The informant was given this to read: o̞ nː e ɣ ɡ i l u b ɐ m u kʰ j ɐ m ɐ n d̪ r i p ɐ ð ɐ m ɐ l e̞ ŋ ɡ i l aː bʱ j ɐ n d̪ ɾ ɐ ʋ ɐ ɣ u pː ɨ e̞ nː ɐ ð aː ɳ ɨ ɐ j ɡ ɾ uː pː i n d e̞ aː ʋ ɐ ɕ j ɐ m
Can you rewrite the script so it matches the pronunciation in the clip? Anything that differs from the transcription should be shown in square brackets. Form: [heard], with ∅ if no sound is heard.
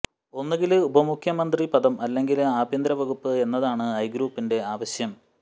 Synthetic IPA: o̞ nː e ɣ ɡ i l u b ɐ m u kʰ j ɐ m ɐ n d̪ r i p ɐ ð ɐ m ɐ [lː] e̞ ŋ ɡ i l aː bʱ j ɐ n d̪ ɾ ɐ ʋ ɐ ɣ u pː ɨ e̞ nː ɐ ð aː ɳ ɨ ɐ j ɡ ɾ uː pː i n d e̞ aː ʋ ɐ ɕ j ɐ m